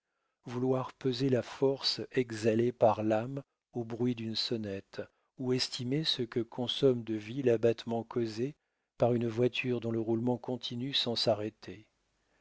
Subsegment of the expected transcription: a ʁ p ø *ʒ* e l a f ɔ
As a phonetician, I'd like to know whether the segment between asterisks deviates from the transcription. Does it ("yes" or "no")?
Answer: yes